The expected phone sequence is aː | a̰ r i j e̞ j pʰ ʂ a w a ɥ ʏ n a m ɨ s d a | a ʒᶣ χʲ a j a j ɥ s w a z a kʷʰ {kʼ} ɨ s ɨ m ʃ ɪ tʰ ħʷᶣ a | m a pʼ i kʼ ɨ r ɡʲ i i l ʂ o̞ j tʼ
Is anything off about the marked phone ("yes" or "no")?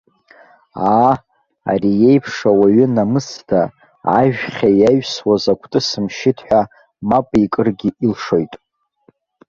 yes